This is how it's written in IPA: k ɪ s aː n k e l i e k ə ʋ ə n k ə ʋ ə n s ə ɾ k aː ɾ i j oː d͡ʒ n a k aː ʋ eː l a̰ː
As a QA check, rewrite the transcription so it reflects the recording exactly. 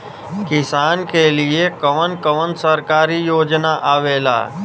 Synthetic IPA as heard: k ɪ s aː n k e l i e k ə ʋ ə n k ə ʋ ə n s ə ɾ k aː ɾ i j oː d͡ʒ n a ʔ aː ʋ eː l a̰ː